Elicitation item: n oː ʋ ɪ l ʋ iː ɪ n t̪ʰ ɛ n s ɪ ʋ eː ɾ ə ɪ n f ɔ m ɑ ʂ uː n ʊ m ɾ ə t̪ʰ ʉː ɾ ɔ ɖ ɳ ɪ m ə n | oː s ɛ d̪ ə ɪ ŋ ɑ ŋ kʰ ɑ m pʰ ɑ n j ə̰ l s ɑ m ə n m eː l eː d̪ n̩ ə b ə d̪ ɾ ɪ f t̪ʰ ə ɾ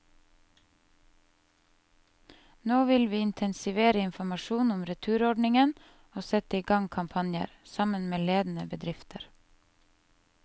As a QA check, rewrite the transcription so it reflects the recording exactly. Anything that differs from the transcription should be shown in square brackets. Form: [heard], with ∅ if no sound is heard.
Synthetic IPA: n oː ʋ ɪ l ʋ iː ɪ n t̪ʰ ɛ n s ɪ ʋ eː ɾ ə ɪ n f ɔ m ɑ [ʃ] uː n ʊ m ɾ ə t̪ʰ ʉː ɾ ɔ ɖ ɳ ɪ [ŋ] ə n | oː s ɛ [t̪] ə ɪ [ɡ] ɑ ŋ kʰ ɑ m pʰ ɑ n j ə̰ [ɾ] s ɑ m ə n m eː l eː d̪ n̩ ə b ə d̪ ɾ ɪ f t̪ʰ ə ɾ